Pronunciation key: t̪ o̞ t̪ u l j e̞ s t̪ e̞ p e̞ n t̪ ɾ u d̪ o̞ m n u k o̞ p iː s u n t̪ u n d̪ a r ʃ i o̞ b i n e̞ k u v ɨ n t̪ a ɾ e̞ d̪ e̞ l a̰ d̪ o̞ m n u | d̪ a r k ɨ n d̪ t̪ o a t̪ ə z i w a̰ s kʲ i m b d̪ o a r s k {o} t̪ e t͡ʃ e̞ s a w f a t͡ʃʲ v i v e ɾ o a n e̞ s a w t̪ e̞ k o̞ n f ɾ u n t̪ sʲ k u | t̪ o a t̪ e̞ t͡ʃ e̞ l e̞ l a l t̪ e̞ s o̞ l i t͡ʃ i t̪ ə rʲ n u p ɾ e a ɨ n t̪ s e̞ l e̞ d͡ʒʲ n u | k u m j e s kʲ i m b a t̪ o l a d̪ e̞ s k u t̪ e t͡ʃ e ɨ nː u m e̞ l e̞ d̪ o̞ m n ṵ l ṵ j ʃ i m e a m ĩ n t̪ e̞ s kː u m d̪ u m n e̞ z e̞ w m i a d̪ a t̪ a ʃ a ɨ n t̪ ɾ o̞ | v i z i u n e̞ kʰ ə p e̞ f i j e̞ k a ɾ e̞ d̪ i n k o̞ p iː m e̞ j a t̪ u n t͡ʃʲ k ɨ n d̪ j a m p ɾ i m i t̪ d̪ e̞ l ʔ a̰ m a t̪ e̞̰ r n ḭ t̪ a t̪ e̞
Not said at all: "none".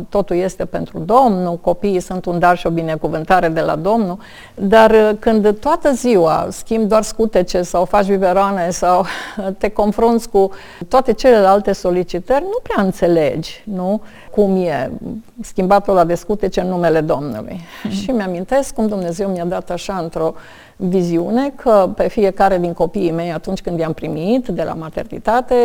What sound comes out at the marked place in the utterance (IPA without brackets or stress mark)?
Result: u